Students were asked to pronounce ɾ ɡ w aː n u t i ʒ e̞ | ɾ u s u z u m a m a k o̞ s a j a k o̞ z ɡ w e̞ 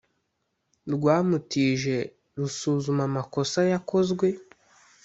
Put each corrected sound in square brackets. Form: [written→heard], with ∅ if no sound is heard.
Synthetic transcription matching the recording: ɾ ɡ w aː [n→m] u t i ʒ e̞ | ɾ u s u z u m a m a k o̞ s a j a k o̞ z ɡ w e̞